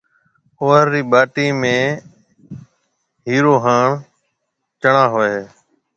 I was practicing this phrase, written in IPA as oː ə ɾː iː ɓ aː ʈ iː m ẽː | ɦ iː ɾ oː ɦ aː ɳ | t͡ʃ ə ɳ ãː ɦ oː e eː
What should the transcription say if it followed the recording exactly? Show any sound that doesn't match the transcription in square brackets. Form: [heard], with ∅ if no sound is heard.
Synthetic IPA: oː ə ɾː iː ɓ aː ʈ iː m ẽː | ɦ iː ɾ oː ɦ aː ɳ | t͡ʃ ə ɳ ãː ɦ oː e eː